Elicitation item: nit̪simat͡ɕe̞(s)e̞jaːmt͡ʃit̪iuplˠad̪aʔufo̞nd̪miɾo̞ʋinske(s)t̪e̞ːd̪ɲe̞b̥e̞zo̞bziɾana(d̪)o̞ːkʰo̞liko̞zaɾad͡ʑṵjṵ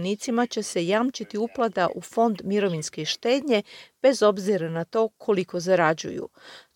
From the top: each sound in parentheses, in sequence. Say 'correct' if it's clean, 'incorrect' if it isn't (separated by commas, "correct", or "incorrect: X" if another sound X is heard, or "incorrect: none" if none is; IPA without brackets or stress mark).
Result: correct, incorrect: ʃ, incorrect: t̪